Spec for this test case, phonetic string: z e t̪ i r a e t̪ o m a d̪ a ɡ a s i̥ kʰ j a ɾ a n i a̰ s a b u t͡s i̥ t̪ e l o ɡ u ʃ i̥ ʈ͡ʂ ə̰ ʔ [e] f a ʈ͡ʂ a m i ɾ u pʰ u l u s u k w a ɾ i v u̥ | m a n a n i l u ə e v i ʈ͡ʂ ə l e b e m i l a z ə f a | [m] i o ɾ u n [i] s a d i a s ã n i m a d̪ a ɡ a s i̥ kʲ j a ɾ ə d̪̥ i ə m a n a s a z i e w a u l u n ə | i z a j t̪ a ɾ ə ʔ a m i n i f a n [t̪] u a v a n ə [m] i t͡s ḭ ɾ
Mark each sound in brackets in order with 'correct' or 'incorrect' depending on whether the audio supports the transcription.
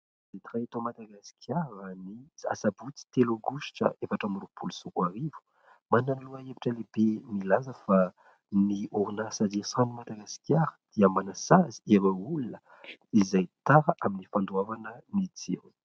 correct, incorrect: n, incorrect: a, incorrect: d̪, incorrect: n

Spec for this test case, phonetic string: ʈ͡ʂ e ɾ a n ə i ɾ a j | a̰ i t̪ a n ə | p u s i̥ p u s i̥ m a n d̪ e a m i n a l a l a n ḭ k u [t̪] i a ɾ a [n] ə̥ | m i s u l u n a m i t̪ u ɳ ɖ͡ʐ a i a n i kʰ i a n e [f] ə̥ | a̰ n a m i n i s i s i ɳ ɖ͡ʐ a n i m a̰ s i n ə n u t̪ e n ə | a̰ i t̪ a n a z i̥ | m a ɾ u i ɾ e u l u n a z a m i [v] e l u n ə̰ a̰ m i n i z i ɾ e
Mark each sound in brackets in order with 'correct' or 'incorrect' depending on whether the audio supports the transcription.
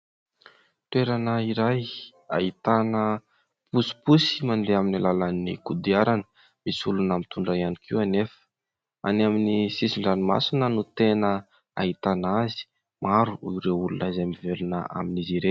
incorrect: d̪, correct, correct, correct

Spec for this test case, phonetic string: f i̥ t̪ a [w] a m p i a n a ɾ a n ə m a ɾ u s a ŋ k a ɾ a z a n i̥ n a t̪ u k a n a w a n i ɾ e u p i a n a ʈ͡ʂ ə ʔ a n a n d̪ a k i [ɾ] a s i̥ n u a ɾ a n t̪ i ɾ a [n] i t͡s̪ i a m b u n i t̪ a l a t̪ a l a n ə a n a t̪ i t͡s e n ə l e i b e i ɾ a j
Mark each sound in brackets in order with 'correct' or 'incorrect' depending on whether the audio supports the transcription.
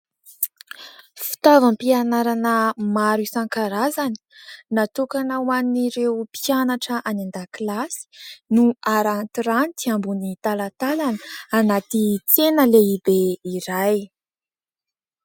incorrect: v, incorrect: l, correct

